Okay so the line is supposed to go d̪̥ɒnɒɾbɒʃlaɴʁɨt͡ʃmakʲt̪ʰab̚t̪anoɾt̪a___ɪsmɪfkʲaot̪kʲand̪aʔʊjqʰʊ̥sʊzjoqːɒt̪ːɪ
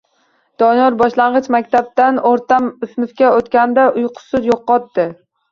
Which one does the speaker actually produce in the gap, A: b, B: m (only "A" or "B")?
B